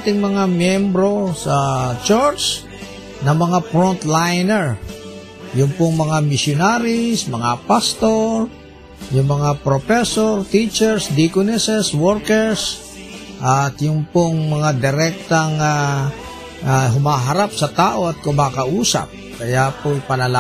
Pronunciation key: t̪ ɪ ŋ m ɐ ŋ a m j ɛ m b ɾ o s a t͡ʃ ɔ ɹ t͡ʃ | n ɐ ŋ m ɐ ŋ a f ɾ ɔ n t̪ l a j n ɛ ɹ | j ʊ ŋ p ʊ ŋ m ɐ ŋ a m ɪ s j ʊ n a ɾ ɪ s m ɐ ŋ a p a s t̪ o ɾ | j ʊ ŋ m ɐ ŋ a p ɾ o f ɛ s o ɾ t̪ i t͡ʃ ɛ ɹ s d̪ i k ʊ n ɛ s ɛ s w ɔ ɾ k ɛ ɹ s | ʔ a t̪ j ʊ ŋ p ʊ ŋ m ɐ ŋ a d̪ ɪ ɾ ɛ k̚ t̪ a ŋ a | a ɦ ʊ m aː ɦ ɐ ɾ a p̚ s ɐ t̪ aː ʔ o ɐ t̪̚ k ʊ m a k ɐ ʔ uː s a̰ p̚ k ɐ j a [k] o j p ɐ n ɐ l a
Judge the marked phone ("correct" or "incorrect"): incorrect